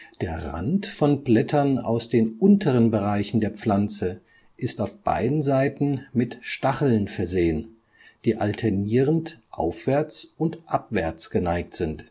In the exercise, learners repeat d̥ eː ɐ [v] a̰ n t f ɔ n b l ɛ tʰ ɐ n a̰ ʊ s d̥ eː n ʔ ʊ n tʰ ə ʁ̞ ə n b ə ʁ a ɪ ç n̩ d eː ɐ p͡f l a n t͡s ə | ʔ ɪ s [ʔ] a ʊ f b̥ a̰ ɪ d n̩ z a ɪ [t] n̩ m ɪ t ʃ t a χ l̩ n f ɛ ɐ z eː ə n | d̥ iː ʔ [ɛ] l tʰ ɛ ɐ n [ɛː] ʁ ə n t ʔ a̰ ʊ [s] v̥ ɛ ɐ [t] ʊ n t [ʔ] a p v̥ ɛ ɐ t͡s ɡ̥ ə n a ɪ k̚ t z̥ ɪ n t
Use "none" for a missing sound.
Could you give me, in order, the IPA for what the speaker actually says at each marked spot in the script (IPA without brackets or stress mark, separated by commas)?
ʁ, t, t, a, iː, f, t͡s, ʔ